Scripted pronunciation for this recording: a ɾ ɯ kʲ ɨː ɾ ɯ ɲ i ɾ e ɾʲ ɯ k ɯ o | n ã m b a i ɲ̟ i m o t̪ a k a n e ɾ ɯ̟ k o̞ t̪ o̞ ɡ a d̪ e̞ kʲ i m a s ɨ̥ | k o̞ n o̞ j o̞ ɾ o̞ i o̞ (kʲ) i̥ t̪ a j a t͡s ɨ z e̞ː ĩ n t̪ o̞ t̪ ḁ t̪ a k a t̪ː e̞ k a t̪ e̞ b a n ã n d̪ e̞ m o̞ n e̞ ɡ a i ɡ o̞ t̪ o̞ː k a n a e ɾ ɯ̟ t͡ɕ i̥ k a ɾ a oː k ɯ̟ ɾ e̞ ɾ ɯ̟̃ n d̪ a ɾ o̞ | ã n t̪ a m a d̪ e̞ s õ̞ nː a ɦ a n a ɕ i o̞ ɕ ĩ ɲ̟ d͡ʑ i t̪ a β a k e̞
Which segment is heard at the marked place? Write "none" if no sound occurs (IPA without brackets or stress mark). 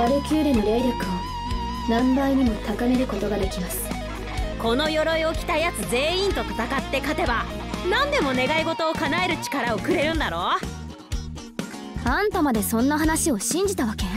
kʲ